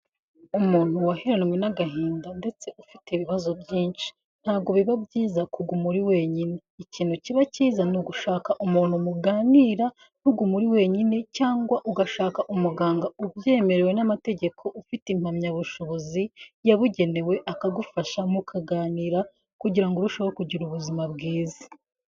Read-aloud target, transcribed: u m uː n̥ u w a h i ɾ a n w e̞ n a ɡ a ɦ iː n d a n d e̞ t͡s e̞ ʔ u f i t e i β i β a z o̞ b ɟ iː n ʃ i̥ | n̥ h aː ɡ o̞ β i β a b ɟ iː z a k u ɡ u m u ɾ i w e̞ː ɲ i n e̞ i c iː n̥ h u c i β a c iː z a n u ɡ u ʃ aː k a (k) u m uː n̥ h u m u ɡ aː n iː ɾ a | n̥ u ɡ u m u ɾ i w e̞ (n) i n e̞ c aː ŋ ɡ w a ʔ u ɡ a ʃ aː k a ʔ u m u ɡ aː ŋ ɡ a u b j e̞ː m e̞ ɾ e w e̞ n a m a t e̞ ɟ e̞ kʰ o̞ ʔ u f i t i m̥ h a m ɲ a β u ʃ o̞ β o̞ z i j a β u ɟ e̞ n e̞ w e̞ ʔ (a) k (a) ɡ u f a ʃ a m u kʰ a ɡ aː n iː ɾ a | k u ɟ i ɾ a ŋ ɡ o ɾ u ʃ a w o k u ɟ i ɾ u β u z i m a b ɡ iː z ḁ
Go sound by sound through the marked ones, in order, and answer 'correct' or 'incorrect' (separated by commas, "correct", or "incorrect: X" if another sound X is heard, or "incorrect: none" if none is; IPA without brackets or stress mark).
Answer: incorrect: ʔ, incorrect: ɲ, correct, correct